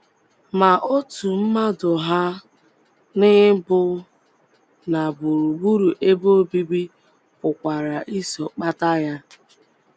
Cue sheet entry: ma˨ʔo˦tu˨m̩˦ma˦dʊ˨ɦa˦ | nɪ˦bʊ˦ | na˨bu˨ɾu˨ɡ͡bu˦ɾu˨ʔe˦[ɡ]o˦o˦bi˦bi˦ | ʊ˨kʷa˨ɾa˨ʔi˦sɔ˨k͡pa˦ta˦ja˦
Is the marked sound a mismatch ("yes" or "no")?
yes